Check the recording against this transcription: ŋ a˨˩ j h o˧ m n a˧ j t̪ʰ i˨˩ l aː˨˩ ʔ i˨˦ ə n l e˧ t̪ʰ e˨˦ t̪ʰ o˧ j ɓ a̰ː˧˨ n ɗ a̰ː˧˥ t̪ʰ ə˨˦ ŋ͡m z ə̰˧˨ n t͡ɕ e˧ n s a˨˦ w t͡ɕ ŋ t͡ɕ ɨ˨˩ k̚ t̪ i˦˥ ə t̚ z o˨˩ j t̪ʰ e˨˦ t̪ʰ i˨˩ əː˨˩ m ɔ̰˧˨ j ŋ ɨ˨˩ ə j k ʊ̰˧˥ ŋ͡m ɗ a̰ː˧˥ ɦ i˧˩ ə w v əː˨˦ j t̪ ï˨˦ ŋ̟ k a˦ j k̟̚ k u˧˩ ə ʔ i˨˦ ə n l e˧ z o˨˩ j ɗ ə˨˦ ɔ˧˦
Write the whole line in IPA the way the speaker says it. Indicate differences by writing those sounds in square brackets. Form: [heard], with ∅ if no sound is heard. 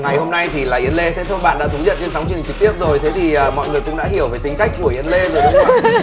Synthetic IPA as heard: ŋ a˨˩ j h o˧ m n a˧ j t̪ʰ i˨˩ l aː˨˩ ʔ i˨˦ ə n l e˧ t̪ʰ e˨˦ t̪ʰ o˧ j ɓ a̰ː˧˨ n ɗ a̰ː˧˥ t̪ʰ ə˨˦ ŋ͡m z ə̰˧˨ n t͡ɕ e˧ n s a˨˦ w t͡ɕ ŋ t͡ɕ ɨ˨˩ k̚ t̪ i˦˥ ə [p̚] z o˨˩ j t̪ʰ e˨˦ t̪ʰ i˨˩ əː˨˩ m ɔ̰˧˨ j ŋ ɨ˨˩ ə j k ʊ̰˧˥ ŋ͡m ɗ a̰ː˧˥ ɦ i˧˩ ə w v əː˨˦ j t̪ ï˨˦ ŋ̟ k a˦ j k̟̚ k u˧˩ ə ʔ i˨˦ ə n l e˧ z o˨˩ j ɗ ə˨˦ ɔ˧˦